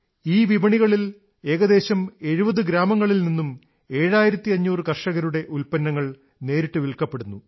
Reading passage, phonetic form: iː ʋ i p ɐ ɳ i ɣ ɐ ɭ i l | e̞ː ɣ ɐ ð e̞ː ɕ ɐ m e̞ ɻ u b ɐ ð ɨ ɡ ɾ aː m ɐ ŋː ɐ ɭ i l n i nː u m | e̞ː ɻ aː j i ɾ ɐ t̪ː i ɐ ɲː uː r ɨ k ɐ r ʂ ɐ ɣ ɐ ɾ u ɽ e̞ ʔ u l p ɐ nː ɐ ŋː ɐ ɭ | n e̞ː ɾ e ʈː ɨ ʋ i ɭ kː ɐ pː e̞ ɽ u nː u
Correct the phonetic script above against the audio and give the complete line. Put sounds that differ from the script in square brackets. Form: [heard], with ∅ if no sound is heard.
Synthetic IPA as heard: iː ʋ i [b] ɐ ɳ i ɣ ɐ ɭ i l | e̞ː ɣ ɐ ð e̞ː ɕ ɐ m e̞ ɻ u b ɐ ð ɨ ɡ ɾ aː m ɐ ŋː ɐ ɭ i l n i nː u m | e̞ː ɻ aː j i ɾ ɐ t̪ː i ɐ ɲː uː r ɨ k ɐ r ʂ ɐ ɣ ɐ ɾ u ɽ e̞ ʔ u l p ɐ nː ɐ ŋː ɐ ɭ | n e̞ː ɾ [i] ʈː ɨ ʋ i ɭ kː ɐ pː e̞ ɽ u nː u